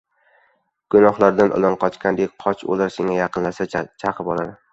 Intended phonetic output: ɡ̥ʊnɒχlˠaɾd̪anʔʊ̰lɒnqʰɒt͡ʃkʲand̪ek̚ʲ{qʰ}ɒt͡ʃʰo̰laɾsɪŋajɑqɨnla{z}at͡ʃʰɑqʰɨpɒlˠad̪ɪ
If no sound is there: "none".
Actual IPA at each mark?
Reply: qʰ, s

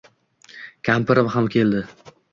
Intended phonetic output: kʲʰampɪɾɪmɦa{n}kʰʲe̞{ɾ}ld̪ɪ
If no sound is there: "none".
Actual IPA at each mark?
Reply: m, none

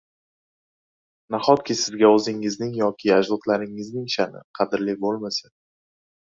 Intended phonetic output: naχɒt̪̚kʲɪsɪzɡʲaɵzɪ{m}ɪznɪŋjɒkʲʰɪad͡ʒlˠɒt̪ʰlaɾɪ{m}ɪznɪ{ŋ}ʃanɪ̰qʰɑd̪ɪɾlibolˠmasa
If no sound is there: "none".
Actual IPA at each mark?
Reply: ŋ, ŋ, ŋ

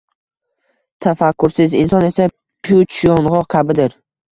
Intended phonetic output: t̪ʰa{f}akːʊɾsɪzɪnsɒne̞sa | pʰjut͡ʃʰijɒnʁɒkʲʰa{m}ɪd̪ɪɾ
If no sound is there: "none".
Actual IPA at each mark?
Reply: f, b

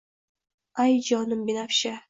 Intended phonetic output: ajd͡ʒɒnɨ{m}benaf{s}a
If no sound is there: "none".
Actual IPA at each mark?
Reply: m, ʃ

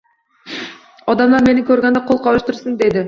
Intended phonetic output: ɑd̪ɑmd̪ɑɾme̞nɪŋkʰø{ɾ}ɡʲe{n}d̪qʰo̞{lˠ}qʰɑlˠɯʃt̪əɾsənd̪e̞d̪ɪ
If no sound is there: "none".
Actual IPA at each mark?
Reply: ɾ, n, lˠ

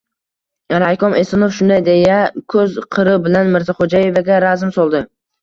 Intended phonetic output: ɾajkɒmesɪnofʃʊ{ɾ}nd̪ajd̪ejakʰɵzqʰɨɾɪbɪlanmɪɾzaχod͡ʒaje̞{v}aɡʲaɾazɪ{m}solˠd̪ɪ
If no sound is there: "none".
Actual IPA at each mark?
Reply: none, v, m

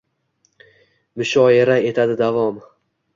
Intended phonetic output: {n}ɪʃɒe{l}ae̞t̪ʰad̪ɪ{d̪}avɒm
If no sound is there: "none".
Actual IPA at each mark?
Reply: m, ɾ, d̪

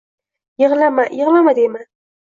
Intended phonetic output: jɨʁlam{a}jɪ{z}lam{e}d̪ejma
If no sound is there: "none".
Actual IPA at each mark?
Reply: a, ʁ, a

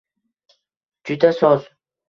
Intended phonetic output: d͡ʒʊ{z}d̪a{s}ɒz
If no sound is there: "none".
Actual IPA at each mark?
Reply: none, s

